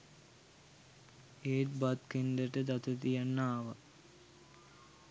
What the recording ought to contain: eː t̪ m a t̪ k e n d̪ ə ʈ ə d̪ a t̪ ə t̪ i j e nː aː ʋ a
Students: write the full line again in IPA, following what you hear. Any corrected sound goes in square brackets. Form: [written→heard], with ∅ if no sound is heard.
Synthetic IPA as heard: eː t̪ [m→b] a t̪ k e n d̪ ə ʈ ə d̪ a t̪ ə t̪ i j [e→a] nː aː ʋ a